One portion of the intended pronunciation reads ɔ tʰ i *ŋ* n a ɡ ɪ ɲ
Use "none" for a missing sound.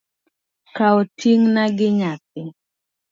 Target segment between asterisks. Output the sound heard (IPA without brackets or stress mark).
ŋ